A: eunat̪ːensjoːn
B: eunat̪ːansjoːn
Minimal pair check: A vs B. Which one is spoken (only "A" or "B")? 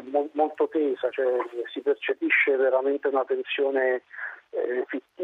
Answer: A